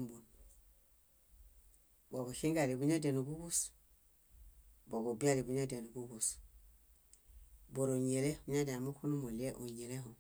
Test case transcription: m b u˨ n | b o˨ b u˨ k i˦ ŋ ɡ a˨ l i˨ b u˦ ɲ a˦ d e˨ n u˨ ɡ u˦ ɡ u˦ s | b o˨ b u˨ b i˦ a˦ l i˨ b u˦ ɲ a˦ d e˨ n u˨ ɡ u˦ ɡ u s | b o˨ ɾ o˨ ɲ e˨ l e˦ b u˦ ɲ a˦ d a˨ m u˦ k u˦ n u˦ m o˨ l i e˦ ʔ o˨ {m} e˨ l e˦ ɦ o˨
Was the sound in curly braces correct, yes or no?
no